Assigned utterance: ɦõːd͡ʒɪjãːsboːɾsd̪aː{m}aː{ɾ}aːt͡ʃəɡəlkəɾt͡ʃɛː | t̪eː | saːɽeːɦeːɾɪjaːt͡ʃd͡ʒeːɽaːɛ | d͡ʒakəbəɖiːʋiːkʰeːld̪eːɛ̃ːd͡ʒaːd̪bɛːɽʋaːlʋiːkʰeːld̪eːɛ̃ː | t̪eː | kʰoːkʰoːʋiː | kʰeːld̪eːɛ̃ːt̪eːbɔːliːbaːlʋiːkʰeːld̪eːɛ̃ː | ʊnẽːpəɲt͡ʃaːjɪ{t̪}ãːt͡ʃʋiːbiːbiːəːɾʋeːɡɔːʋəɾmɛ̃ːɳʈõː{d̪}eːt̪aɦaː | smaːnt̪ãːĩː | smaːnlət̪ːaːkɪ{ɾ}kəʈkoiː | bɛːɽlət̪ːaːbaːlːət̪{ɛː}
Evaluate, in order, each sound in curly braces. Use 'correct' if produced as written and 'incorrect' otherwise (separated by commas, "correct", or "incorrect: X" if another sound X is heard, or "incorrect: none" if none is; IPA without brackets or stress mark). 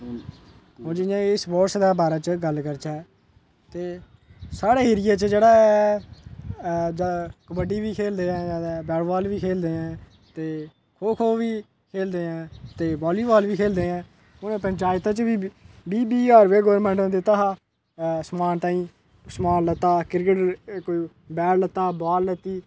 incorrect: b, correct, correct, correct, correct, incorrect: iː